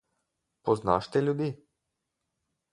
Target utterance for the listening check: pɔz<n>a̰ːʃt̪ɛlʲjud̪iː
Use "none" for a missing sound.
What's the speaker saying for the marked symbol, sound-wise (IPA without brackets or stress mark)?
n